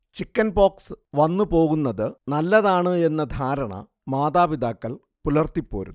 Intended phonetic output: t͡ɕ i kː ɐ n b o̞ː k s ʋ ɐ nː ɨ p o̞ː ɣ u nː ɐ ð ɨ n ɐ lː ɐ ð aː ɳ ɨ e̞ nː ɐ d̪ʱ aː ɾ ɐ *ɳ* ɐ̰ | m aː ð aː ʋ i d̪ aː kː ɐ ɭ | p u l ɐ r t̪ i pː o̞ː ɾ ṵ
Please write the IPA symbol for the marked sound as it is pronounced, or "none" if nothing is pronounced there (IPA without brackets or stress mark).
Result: ɳ